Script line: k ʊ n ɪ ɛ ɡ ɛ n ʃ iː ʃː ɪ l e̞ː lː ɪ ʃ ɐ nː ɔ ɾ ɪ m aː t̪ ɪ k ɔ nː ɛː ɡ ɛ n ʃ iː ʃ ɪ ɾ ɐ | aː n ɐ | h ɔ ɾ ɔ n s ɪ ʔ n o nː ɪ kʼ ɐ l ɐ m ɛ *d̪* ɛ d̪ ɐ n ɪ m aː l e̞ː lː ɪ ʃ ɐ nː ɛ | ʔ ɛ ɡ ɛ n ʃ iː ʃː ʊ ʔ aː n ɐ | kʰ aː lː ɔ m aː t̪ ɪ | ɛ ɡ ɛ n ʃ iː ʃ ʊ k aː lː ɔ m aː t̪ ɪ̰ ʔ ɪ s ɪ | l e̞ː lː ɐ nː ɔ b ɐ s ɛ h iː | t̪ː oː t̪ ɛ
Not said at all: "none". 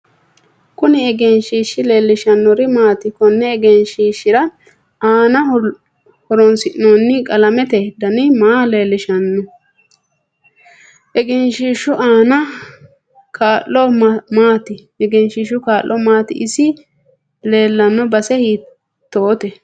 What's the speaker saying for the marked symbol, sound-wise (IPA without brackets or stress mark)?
t̪